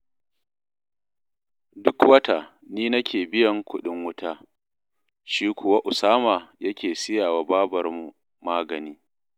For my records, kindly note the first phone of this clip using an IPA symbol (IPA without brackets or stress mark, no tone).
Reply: d